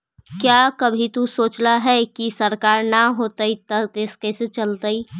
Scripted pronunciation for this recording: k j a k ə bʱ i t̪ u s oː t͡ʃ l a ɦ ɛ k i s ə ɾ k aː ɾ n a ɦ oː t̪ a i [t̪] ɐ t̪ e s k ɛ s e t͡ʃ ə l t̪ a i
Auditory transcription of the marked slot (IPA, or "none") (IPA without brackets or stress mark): t̪